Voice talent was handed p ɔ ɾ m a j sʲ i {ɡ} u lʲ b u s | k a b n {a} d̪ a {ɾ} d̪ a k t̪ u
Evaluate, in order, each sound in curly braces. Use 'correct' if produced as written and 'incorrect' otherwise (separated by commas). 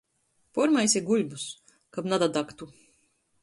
correct, correct, incorrect